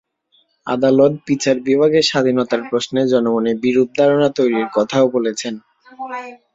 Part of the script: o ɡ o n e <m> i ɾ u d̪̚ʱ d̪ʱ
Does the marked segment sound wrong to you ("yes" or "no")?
yes